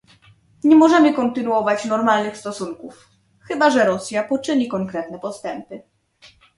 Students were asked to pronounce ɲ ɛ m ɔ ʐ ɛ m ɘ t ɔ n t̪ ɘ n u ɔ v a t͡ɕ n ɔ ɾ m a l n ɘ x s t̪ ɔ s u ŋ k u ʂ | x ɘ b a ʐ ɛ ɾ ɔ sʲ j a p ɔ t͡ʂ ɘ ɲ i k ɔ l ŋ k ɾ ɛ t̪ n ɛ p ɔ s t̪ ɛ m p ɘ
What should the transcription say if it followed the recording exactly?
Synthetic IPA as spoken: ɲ ɛ m ɔ ʐ ɛ m ɘ k ɔ n t̪ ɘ n u ɔ v a t͡ɕ n ɔ ɾ m a l n ɘ x s t̪ ɔ s u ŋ k u f | x ɘ b a ʐ ɛ ɾ ɔ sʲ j a p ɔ t͡ʂ ɘ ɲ i k ɔ ŋ k ɾ ɛ t̪ n ɛ p ɔ s t̪ ɛ m p ɘ